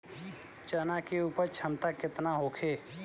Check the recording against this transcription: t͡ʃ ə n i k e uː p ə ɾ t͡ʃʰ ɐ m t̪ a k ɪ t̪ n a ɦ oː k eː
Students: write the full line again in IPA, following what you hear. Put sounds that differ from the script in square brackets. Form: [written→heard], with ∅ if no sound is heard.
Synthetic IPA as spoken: t͡ʃ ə n [i→a] k e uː p ə ɾ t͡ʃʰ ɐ m t̪ a k ɪ t̪ n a ɦ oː [k→kʰ] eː